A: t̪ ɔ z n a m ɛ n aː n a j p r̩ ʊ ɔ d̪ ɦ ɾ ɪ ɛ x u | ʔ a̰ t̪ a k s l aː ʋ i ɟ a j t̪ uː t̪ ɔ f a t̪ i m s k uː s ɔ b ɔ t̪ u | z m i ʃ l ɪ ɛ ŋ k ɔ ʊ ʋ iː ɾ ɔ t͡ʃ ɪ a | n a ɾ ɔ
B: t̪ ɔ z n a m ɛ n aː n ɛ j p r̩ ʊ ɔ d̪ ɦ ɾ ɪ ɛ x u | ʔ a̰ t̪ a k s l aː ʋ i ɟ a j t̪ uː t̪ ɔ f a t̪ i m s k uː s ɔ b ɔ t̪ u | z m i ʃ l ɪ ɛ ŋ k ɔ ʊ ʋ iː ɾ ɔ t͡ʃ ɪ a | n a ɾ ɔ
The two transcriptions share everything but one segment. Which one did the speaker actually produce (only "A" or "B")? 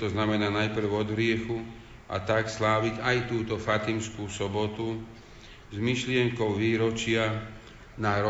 A